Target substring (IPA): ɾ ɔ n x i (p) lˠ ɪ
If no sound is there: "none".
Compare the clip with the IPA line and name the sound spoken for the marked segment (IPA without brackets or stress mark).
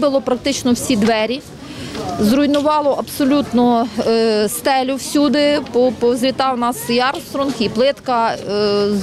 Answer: p